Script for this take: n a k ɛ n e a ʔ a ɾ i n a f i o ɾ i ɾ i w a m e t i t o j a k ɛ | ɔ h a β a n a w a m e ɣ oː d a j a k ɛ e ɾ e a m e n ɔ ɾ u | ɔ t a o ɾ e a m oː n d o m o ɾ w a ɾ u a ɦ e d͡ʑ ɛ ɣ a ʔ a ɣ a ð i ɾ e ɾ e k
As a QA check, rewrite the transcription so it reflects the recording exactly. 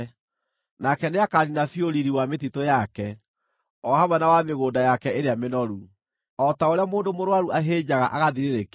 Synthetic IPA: n a k ɛ n e a k a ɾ i n a f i o ɾ i ɾ i w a m e t i t o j a k ɛ | ɔ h a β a n a w a m e ɣ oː d a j a k ɛ e ɾ e a m e n ɔ ɾ u | ɔ t a o ɾ e a m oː n d o m o ɾ w a ɾ u a ɦ e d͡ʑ a ɣ a ʔ a ɣ a ð i ɾ e ɾ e k